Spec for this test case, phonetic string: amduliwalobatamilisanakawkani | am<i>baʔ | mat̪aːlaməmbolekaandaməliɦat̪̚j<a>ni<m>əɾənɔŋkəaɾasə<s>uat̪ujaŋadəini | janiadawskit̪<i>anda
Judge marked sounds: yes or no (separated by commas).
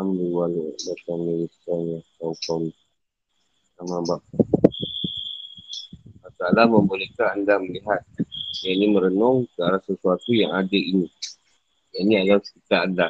no, yes, yes, yes, no